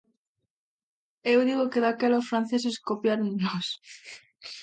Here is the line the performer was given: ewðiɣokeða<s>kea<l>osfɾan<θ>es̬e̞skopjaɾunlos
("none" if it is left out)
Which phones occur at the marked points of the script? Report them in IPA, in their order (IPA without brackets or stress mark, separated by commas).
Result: none, l, θ